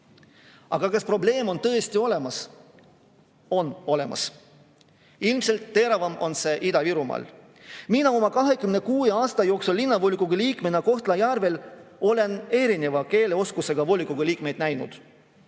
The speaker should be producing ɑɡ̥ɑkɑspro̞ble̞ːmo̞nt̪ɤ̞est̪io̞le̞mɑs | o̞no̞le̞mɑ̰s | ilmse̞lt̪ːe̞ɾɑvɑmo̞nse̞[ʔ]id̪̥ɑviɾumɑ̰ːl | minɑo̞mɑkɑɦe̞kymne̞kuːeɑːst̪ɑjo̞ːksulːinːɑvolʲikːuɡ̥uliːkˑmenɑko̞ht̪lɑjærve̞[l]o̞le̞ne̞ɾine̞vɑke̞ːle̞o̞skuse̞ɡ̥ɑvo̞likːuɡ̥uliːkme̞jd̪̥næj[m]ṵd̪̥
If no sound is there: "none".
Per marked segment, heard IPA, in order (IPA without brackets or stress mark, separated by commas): ʔ, l, n